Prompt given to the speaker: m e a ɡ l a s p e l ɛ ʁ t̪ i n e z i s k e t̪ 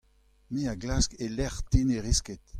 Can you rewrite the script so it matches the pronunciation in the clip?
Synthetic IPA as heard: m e a ɡ l a s k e l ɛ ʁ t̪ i n e ʁ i s k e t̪